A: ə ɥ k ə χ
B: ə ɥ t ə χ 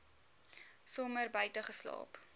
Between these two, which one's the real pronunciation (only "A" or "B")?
B